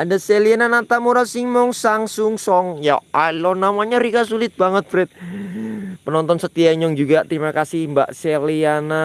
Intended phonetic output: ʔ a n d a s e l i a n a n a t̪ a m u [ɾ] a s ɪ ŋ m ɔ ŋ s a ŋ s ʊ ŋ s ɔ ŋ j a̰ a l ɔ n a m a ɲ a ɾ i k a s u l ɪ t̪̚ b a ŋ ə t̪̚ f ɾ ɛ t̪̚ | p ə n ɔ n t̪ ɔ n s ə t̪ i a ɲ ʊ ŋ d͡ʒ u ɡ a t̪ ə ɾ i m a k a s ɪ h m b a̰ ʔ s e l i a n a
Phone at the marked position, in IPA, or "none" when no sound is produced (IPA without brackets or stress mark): ɾ